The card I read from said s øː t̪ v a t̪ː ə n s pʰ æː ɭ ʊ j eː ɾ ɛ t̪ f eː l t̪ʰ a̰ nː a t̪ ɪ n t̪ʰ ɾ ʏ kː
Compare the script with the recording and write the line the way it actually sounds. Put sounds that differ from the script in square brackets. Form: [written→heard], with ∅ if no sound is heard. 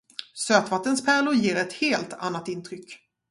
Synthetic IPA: s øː t̪ v a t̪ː ə n s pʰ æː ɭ ʊ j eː ɾ ɛ t̪ [f→h] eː l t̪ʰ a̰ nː a t̪ ɪ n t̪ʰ ɾ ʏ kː